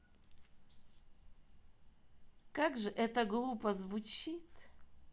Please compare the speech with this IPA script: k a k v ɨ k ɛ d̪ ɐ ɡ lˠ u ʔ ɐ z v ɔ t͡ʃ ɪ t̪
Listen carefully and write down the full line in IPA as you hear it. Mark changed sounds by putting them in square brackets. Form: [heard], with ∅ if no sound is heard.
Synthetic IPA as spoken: k a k [ʐ] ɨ [ʔ] ɛ [t̪] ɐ ɡ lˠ u [p] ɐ z v [u] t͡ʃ [i] t̪

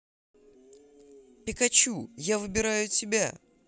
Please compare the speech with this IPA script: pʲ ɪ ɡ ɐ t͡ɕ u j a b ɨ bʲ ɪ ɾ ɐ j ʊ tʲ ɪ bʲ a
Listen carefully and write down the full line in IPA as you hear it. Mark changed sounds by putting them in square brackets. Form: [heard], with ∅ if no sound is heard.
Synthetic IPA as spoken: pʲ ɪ [k] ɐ t͡ɕ u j a [v] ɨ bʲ ɪ ɾ [a] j ʊ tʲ ɪ bʲ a

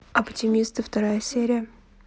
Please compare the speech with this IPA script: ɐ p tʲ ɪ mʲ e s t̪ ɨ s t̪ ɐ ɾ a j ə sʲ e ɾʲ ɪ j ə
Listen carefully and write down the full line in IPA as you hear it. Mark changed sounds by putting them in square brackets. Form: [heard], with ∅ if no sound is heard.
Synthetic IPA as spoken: ɐ p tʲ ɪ mʲ [i] s t̪ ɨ [f] t̪ ɐ ɾ a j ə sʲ e ɾʲ ɪ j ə

